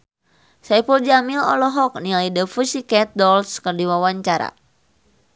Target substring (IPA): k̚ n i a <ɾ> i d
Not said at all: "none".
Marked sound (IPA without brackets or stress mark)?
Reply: l